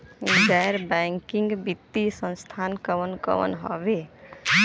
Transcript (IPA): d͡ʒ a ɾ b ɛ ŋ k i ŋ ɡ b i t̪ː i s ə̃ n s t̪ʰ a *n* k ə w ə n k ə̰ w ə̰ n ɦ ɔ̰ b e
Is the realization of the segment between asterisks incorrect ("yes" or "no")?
no